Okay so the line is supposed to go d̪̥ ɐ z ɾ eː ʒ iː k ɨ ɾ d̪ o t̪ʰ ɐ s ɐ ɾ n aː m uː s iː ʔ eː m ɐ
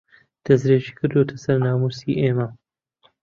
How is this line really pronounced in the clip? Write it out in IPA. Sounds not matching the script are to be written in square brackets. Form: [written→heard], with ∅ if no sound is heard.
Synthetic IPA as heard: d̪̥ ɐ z ɾ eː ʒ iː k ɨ ɾ d̪ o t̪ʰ ɐ s ɐ ɾ n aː m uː s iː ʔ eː m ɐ